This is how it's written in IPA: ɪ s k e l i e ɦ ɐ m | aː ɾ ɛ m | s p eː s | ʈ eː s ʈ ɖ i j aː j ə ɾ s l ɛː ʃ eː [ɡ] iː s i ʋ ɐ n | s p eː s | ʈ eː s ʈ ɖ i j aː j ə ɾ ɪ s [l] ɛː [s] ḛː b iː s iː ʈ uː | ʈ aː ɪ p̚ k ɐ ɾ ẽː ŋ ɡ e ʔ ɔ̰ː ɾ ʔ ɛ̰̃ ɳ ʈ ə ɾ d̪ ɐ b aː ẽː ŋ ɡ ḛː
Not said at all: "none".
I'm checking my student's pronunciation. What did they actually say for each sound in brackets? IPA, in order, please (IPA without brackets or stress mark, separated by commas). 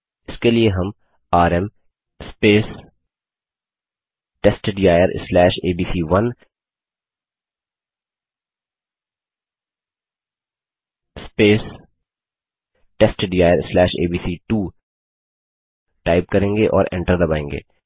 b, l, ʃ